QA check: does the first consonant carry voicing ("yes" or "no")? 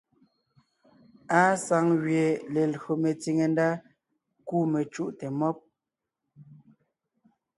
no